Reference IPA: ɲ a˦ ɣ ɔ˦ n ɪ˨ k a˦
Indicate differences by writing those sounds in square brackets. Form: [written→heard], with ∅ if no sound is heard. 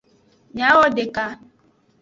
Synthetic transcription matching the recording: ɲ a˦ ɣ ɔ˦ [n→d] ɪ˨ k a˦